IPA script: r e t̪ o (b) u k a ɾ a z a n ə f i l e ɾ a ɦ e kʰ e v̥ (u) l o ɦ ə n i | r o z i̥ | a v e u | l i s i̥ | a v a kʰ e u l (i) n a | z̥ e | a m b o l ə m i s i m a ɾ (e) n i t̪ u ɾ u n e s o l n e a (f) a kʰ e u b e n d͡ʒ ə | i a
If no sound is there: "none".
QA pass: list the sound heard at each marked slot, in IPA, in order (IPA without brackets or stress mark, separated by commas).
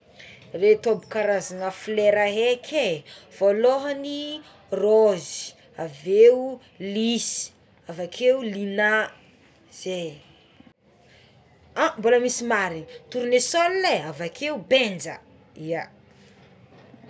b, o, i, i, v